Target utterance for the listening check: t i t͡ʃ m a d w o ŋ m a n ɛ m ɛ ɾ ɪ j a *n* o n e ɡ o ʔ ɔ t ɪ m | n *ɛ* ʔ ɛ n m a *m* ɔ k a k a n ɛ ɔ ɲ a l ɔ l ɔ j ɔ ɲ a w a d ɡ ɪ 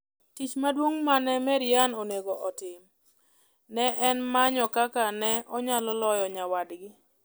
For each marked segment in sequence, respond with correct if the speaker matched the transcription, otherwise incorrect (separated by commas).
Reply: correct, correct, incorrect